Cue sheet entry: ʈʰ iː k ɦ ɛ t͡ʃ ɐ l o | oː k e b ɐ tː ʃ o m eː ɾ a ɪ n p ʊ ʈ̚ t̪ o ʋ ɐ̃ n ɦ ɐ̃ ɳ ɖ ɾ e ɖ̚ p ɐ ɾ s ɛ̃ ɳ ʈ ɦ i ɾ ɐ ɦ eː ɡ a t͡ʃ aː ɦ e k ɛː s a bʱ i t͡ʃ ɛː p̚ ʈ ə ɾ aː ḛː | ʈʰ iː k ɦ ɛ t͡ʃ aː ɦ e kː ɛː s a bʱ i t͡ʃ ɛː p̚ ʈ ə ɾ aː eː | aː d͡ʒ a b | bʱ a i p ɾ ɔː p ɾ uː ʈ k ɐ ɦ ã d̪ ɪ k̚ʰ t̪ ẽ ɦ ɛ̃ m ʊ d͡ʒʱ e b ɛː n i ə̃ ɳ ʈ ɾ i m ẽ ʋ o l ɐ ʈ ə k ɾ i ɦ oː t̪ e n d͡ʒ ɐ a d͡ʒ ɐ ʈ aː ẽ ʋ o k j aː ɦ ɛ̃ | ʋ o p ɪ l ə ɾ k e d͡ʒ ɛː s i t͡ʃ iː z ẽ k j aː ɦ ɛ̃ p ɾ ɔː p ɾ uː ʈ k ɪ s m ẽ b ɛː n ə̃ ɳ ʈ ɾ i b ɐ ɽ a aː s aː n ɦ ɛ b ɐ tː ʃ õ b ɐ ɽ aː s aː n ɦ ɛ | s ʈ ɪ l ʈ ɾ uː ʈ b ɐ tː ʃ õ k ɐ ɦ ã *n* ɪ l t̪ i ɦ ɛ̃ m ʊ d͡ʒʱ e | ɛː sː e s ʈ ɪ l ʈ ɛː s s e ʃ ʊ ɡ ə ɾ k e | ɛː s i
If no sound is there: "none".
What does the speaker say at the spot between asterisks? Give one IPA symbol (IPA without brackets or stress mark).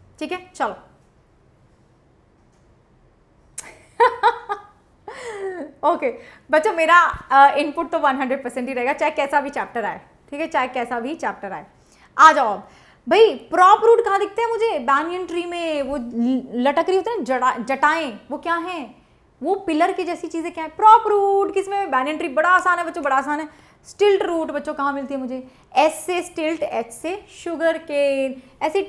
m